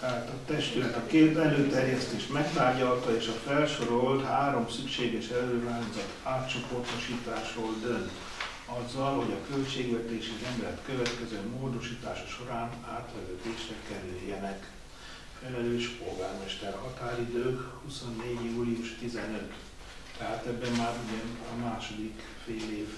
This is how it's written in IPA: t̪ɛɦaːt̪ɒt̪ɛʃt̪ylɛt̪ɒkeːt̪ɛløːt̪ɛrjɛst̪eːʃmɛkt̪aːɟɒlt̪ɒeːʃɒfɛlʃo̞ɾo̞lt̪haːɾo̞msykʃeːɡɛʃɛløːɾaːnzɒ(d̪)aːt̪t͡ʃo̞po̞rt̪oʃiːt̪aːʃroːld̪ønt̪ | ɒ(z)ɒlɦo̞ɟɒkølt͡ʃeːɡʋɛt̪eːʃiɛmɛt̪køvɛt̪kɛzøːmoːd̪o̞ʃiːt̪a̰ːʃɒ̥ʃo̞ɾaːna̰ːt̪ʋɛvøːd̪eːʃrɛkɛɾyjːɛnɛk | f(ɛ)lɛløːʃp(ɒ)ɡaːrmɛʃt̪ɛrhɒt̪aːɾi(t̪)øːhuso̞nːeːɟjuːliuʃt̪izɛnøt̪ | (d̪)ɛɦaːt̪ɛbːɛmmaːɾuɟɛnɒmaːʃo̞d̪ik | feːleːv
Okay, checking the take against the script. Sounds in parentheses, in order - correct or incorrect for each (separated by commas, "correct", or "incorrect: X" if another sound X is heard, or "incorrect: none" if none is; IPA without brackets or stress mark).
incorrect: t̪, incorrect: zː, correct, incorrect: o, incorrect: d̪, incorrect: t̪